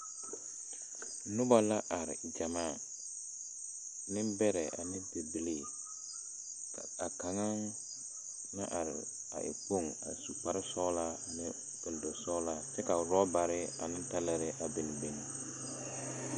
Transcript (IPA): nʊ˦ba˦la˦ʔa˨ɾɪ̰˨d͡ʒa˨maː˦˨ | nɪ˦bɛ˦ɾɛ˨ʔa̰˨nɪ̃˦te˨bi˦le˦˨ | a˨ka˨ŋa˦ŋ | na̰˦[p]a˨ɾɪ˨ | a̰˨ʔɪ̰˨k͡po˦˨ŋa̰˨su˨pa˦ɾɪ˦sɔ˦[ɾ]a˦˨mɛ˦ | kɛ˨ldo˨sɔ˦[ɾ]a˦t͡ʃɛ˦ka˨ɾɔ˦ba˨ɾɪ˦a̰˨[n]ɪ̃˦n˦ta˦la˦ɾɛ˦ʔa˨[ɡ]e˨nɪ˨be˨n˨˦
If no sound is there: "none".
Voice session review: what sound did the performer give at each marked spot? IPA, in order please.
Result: ʔ, l, l, n, b

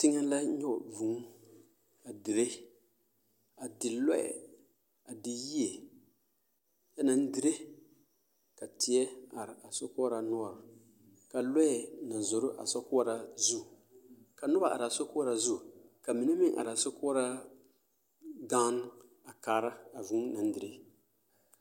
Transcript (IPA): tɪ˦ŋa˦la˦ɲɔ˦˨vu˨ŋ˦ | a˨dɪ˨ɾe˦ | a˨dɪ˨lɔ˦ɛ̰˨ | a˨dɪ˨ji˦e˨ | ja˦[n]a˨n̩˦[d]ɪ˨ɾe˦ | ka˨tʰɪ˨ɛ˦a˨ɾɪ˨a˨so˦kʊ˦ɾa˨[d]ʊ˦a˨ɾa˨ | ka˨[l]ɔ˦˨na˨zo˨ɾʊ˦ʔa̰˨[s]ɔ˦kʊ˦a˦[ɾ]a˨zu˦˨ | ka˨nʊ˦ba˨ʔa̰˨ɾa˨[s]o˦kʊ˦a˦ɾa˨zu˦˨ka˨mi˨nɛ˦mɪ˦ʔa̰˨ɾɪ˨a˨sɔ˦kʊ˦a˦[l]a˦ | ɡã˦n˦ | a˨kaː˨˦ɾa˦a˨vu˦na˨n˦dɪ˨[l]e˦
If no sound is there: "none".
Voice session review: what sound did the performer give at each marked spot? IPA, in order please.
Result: n, d, n, l, s, ɾ, s, ɾ, ɾ

